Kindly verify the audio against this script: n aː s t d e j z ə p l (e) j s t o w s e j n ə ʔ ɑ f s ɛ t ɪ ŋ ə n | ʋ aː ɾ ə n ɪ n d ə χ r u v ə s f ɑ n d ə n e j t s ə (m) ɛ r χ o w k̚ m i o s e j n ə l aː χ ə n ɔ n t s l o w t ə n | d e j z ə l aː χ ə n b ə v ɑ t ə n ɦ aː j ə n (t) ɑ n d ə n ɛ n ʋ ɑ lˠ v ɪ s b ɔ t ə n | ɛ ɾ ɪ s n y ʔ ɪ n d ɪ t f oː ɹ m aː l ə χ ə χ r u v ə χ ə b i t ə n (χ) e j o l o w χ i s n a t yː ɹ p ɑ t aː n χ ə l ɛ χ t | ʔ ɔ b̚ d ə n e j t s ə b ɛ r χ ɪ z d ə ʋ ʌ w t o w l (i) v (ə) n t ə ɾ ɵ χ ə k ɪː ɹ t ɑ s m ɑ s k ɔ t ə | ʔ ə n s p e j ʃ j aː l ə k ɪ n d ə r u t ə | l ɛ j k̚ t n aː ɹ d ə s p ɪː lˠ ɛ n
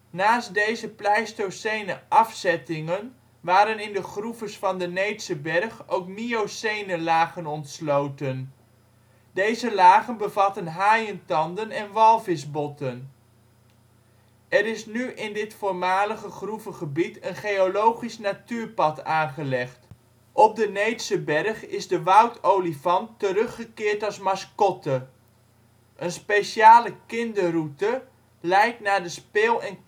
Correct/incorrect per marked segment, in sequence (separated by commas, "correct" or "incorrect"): incorrect, incorrect, correct, correct, correct, incorrect